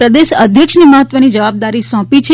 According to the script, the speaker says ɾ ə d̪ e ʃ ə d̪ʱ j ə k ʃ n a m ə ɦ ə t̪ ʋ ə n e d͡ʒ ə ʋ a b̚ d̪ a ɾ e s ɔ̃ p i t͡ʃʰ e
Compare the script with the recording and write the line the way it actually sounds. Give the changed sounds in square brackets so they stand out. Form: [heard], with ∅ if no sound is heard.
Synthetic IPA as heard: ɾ ə d̪ e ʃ ə d̪ʱ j ə k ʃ n [i] m ə ɦ ə t̪ ʋ ə n [i] d͡ʒ ə ʋ a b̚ d̪ a ɾ [i] s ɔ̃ p i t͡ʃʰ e